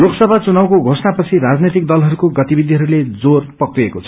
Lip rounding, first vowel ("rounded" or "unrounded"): rounded